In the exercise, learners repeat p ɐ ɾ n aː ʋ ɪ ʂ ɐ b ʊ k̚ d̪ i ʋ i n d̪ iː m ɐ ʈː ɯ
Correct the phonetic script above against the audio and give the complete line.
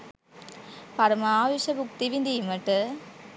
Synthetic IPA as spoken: p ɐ ɾ m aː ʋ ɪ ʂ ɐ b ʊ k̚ t̪ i ʋ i n d̪ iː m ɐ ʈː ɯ